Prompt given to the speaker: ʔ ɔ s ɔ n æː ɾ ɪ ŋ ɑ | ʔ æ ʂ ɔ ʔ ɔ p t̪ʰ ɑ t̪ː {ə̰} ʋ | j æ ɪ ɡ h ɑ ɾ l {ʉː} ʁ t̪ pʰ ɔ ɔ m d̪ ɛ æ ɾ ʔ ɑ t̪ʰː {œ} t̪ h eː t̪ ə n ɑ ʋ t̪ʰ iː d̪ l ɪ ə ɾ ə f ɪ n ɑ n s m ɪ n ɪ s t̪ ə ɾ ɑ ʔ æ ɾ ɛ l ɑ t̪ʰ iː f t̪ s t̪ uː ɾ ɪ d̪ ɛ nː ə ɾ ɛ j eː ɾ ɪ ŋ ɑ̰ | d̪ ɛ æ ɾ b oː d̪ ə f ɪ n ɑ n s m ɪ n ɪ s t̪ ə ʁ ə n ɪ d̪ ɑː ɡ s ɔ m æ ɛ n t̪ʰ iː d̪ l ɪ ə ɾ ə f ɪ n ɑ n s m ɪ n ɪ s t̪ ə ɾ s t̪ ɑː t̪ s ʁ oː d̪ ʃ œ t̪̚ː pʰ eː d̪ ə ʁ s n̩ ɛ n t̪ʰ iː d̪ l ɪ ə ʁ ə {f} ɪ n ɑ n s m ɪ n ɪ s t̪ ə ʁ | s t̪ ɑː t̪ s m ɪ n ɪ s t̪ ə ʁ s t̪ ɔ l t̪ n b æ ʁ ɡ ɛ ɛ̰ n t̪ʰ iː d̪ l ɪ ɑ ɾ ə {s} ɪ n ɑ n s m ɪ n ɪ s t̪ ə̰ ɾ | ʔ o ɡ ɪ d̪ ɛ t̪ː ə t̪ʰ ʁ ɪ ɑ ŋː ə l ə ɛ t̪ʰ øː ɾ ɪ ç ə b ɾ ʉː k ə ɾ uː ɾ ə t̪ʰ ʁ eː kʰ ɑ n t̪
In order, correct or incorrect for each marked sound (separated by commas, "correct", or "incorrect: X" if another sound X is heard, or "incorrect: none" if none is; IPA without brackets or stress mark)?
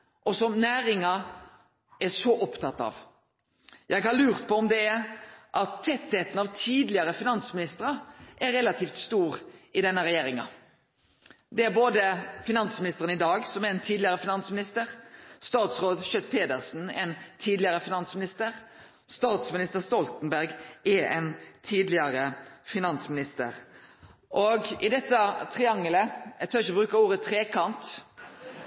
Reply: incorrect: ɑ̰, correct, incorrect: ɛ, correct, incorrect: f